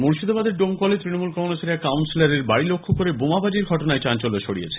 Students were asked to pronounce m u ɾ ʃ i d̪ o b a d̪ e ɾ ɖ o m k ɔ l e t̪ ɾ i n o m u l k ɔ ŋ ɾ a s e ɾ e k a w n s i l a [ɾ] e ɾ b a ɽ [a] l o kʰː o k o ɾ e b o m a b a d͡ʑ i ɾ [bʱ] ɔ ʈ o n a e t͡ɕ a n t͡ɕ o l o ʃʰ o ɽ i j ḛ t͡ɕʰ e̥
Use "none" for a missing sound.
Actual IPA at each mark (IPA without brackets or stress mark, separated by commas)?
ɾ, i, ɡʱ